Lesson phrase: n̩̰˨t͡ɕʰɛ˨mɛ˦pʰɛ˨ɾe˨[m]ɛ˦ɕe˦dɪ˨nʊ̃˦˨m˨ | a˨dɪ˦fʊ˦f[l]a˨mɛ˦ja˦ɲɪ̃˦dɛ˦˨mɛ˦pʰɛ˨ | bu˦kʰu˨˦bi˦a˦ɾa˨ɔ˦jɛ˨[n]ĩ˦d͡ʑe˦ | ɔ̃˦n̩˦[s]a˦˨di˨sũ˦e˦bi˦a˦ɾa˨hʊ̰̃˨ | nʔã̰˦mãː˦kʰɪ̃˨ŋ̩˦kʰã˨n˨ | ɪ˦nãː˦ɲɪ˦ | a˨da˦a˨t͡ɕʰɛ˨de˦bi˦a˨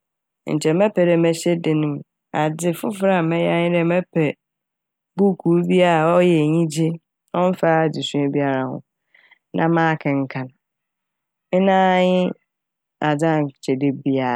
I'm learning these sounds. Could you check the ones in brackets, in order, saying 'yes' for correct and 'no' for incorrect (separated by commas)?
yes, no, no, no